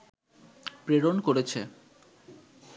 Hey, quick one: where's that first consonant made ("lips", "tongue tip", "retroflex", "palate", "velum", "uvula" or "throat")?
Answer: lips